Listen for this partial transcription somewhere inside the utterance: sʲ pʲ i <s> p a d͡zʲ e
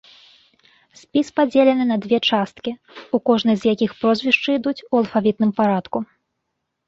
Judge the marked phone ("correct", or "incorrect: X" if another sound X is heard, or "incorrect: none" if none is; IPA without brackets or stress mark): correct